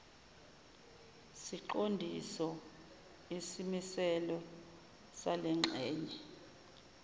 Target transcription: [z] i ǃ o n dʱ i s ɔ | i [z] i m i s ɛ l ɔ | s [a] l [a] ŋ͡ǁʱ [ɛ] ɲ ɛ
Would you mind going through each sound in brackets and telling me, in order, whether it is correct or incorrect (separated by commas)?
incorrect, incorrect, correct, incorrect, incorrect